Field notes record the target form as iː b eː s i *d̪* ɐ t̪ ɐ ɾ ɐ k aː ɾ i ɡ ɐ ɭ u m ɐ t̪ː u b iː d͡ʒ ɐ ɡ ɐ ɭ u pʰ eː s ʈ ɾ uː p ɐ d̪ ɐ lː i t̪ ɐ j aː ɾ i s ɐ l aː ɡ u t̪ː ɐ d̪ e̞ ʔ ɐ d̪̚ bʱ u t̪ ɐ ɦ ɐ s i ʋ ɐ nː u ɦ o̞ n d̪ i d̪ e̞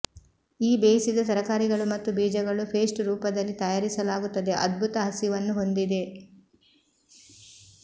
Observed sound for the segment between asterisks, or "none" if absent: d̪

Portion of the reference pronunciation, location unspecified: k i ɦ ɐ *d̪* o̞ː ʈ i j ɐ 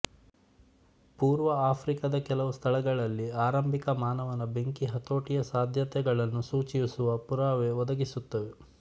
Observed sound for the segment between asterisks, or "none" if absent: t̪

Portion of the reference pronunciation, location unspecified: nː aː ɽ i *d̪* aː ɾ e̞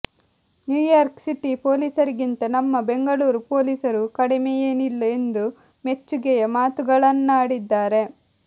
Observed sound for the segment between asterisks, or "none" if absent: d̪ː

